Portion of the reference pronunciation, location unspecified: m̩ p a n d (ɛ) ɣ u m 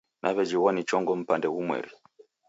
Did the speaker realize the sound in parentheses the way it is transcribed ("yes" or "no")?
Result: yes